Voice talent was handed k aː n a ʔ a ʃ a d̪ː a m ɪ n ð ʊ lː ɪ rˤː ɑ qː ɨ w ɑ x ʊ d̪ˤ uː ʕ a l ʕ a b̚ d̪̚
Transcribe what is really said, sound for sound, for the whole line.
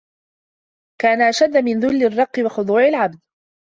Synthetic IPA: k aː n a ʔ a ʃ a d̪ː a m ɪ n ð ʊ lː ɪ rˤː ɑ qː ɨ w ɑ x ʊ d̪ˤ uː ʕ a l ʕ a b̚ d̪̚